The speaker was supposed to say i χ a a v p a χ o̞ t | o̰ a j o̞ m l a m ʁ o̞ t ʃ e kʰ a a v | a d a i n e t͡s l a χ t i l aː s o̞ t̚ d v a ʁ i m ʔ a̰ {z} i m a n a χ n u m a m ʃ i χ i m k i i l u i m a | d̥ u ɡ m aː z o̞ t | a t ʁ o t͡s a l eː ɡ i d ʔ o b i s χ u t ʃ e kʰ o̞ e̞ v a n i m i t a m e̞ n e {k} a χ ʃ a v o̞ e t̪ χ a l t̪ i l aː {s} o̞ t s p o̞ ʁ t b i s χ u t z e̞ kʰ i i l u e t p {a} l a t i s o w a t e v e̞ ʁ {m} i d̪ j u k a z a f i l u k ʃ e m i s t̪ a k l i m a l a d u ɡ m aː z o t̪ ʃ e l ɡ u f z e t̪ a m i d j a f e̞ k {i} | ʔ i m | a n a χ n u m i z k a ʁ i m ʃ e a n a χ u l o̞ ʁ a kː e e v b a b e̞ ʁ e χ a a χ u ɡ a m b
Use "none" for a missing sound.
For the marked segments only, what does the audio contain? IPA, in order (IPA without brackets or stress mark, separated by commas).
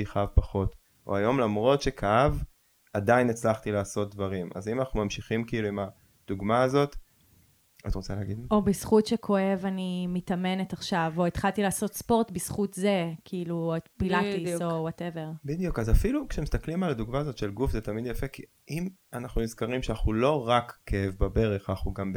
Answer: z, t, s, i, b, i